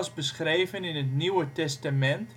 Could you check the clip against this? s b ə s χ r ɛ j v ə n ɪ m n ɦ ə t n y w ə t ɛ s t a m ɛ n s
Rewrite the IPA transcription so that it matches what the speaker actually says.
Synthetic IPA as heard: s b ə s χ r e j v ə n ɪ n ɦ ə t n i w ə t ɛ s t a m ɛ n t